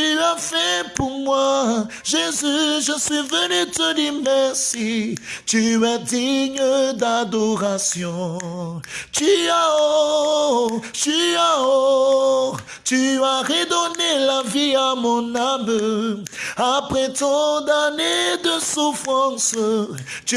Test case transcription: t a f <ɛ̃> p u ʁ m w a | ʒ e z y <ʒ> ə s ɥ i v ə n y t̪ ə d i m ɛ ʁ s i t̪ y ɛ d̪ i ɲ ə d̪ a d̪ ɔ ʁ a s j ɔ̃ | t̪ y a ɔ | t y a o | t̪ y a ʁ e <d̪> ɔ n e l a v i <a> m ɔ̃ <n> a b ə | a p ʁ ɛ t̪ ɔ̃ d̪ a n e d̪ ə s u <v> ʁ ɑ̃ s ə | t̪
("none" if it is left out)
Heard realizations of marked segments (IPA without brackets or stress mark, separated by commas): ɛ, ʒ, d̪, a, n, f